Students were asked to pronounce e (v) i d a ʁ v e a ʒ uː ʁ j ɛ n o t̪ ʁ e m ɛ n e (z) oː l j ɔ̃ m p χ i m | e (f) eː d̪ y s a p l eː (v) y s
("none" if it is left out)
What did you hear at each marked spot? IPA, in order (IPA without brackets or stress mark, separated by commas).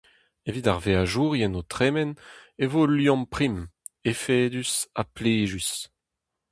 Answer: v, v, f, ʒ